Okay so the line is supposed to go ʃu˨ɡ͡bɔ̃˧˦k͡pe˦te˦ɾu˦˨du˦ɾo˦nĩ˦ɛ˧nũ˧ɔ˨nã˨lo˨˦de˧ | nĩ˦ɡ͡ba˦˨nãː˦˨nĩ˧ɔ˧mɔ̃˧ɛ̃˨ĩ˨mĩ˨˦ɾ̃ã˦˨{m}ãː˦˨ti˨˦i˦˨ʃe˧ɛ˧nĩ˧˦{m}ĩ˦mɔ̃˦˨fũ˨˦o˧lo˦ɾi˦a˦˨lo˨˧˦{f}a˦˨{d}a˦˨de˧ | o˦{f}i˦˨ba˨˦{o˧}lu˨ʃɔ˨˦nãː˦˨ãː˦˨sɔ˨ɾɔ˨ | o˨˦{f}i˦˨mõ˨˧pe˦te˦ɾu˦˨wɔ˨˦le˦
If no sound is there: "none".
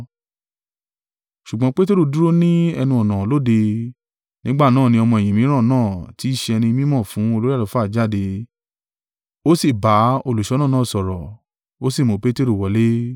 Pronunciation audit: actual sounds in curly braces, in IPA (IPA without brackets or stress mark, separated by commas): n, m, f, d͡ʒ, s, o˧, s